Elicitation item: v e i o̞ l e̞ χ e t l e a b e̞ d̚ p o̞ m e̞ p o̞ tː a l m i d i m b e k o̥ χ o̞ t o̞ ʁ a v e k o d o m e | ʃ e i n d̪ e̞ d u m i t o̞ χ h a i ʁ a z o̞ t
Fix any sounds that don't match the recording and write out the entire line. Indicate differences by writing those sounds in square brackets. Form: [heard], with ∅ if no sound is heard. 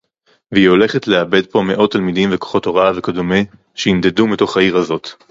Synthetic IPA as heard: v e i o̞ l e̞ χ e t l e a b e̞ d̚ p o̞ m e̞ [ʔ] o̞ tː a l m i d i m [v] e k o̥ χ o̞ t o̞ ʁ a v e k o d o m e | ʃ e i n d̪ e̞ d u m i t o̞ χ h a i ʁ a z o̞ t

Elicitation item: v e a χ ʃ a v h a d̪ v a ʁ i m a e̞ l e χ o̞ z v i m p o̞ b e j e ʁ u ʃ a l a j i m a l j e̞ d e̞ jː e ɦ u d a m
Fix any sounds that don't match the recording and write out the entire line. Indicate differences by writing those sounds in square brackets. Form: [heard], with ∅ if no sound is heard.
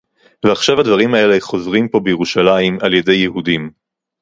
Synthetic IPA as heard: v e a χ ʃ a v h a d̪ v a ʁ i m a e̞ l e χ o̞ z [ʁ] i m p o̞ b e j e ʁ u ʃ a l a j i m a l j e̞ d e̞ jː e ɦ u d [i] m

